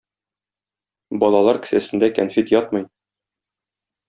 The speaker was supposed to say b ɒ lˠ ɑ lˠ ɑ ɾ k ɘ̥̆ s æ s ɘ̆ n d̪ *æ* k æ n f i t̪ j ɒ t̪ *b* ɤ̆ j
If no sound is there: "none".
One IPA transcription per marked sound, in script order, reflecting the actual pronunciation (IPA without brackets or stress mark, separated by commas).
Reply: æ, m